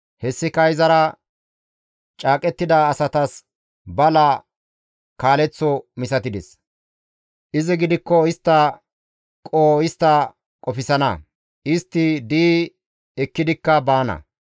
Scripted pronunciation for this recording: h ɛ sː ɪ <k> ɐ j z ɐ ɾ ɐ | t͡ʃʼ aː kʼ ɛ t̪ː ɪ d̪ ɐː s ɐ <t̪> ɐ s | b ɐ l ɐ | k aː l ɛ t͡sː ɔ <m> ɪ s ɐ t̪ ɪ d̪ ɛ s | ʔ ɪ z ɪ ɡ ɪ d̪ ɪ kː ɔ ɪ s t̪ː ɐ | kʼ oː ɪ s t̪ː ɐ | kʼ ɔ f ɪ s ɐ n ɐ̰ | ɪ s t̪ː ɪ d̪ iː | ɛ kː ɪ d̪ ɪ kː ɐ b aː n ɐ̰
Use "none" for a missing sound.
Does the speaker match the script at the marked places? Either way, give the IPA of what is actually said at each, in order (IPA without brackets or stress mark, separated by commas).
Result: k, t̪, m